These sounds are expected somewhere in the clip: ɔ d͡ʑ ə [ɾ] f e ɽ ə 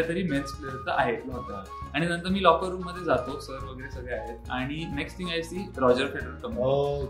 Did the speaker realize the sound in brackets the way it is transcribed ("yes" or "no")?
yes